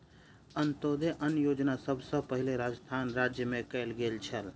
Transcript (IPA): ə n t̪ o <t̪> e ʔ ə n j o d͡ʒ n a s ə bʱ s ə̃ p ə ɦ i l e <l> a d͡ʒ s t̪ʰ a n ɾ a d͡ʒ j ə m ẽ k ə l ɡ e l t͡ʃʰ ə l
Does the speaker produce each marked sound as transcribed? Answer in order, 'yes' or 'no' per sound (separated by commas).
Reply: no, no